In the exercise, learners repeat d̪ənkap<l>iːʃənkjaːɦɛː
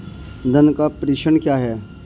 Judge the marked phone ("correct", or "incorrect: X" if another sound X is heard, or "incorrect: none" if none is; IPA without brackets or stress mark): incorrect: ɾ